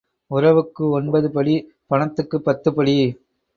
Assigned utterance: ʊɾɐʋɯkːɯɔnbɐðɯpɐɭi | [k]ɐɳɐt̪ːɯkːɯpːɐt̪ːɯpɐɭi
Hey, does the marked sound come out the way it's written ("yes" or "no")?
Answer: no